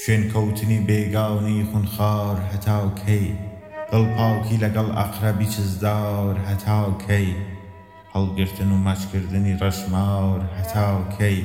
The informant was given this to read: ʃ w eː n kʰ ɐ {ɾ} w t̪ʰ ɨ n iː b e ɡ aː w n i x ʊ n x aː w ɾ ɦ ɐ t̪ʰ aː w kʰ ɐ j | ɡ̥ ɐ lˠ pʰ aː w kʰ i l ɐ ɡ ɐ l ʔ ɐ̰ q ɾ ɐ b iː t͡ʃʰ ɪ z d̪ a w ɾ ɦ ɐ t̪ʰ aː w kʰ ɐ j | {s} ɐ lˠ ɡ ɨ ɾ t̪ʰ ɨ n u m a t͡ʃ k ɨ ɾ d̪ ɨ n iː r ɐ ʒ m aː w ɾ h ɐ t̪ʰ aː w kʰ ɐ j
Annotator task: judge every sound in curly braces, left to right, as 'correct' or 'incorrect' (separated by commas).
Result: incorrect, incorrect